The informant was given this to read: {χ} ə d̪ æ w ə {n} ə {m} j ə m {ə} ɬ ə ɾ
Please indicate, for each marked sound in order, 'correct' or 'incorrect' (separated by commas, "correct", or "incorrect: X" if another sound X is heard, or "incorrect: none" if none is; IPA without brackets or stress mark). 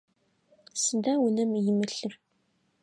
incorrect: s, correct, correct, correct